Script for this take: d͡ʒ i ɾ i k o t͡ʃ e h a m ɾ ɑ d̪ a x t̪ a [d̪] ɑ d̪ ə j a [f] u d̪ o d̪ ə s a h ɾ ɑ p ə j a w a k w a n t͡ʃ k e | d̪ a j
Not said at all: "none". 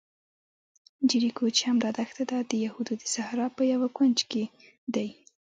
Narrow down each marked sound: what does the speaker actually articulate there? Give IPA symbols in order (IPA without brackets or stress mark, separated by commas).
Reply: d̪, h